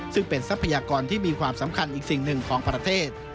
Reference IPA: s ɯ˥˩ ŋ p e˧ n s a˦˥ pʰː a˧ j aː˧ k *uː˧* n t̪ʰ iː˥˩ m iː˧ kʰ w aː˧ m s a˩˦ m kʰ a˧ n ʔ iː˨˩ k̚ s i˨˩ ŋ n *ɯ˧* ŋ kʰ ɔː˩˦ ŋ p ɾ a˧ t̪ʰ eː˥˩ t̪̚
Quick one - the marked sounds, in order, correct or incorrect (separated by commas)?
incorrect, incorrect